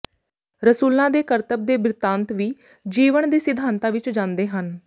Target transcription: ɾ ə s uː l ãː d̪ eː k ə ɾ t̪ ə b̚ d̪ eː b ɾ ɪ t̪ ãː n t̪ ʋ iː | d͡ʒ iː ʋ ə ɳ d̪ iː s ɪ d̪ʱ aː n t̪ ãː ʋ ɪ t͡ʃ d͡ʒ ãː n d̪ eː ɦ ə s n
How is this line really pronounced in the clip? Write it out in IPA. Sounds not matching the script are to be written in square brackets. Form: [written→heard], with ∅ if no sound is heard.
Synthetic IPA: ɾ ə s uː l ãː d̪ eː k ə ɾ t̪ ə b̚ d̪ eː b ɾ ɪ t̪ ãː n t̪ ʋ iː | d͡ʒ iː ʋ ə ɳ d̪ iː s ɪ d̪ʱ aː n t̪ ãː ʋ ɪ t͡ʃ d͡ʒ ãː n d̪ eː ɦ ə [s→∅] n